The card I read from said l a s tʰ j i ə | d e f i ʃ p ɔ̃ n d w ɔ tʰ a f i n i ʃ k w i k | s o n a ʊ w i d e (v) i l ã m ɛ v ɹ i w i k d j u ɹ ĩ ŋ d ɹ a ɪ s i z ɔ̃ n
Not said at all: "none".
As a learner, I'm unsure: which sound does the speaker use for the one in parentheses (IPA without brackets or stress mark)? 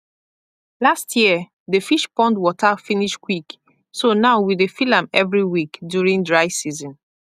f